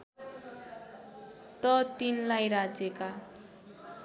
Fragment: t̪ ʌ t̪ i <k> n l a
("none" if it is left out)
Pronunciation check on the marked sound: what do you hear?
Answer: none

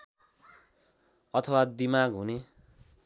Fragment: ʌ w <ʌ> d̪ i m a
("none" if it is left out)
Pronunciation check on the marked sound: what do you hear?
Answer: a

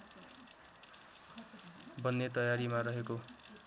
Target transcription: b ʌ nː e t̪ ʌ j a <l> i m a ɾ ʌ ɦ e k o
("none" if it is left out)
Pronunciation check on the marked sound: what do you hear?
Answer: ɾ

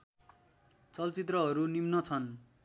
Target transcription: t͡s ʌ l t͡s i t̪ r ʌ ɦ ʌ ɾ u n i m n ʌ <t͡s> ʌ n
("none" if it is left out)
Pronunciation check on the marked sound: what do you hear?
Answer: t͡sʰ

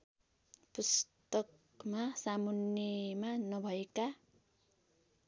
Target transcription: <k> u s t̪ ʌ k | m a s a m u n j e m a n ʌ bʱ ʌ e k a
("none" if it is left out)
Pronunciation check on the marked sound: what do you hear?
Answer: p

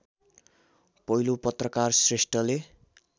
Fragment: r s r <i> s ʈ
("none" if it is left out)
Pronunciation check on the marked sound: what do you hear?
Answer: e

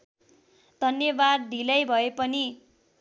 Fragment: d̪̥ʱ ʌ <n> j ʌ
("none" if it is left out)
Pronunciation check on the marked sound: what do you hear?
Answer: n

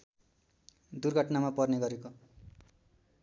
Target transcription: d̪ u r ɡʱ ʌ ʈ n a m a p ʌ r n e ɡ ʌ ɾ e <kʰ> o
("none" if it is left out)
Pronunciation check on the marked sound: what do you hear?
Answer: k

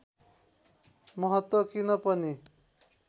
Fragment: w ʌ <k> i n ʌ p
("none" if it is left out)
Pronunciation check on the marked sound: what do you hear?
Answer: k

